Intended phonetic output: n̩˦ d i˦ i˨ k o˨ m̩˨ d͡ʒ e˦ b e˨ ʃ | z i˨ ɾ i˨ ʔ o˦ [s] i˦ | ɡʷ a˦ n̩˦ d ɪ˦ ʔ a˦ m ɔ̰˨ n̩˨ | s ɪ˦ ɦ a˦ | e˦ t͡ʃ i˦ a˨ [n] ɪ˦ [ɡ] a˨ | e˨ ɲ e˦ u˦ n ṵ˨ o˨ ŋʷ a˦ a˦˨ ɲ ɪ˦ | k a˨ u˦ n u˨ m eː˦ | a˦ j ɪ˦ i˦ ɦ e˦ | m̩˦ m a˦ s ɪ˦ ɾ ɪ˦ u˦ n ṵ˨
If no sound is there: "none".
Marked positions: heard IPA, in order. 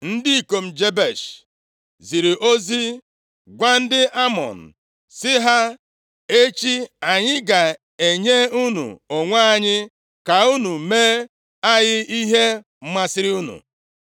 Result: z, ɲ, ɡ

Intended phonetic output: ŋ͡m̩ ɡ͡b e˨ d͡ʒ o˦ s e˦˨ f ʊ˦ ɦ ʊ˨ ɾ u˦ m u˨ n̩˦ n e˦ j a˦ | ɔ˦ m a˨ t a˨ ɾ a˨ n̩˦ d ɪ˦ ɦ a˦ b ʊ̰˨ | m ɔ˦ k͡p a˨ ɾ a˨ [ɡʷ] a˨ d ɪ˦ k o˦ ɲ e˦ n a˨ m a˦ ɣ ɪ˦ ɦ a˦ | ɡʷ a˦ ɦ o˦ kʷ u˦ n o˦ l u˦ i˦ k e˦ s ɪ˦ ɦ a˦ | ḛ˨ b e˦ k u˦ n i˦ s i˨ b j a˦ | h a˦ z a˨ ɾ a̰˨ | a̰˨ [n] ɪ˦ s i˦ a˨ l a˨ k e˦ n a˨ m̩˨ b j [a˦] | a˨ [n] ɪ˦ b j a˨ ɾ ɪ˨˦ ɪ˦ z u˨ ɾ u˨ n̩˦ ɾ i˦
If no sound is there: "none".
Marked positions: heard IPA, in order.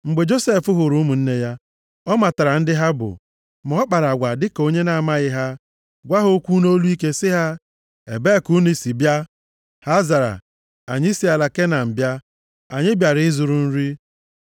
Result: ɡʷ, ɲ, a˦, ɲ

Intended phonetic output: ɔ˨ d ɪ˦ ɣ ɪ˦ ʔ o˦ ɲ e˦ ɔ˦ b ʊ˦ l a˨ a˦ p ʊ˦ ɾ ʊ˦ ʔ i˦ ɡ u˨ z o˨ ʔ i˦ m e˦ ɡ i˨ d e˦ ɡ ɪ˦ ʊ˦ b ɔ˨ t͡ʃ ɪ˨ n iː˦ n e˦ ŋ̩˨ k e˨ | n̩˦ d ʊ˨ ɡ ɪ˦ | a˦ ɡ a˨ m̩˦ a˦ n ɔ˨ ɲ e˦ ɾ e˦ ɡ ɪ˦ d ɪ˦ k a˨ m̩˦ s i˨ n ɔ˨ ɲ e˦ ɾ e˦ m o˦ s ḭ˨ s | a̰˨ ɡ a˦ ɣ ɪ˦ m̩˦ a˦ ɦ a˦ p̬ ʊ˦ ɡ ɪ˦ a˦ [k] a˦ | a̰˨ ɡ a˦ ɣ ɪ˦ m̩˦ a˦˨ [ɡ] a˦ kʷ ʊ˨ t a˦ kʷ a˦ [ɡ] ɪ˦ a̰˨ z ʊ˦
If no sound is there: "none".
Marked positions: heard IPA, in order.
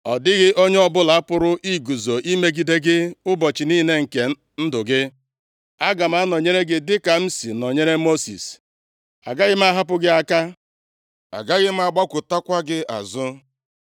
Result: k, ɡ͡b, ɡ

